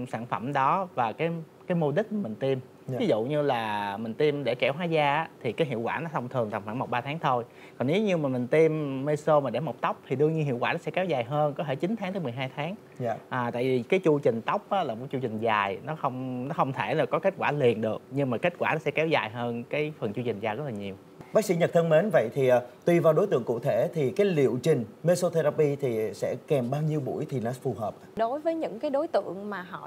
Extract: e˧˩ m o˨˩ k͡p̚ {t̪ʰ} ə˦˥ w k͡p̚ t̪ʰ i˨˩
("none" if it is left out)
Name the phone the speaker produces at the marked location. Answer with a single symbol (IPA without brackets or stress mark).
t̪